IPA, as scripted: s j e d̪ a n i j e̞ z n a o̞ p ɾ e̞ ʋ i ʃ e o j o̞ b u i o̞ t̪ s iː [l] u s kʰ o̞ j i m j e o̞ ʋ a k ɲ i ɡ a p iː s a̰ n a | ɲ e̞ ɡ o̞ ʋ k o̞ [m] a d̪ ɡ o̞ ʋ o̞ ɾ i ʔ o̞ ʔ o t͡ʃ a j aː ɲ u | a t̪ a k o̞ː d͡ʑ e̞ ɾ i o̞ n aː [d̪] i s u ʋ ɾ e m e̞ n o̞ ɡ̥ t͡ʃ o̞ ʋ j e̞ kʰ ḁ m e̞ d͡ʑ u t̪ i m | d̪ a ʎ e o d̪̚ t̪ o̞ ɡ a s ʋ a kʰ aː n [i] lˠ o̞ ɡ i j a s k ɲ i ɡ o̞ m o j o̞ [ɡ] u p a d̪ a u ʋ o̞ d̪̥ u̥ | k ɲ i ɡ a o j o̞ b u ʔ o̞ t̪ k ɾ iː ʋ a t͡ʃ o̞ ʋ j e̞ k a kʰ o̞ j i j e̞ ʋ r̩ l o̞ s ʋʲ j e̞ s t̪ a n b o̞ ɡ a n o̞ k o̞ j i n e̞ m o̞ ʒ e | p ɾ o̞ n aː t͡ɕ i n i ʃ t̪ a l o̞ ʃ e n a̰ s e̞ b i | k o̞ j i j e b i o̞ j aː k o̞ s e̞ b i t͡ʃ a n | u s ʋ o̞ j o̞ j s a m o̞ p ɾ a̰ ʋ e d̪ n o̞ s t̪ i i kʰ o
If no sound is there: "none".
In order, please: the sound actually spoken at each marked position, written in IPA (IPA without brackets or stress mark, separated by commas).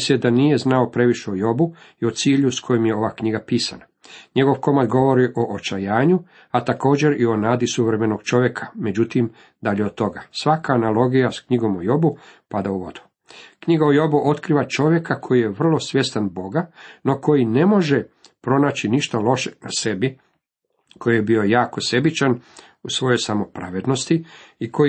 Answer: ʎ, m, d̪, a, b